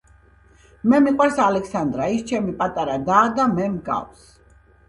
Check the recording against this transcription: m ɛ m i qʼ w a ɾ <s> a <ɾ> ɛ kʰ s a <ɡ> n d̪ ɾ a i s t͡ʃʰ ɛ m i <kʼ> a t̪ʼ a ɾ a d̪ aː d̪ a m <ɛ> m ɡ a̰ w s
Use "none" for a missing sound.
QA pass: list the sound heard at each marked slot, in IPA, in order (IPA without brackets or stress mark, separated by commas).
s, l, none, pʼ, ɛ